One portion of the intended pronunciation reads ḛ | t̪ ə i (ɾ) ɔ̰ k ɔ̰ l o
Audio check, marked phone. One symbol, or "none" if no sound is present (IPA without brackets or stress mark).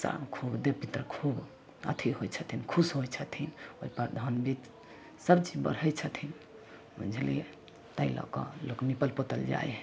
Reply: l